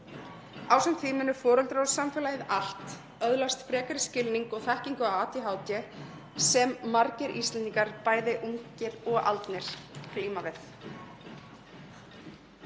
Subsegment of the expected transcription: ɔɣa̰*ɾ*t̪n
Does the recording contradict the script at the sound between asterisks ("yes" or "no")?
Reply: yes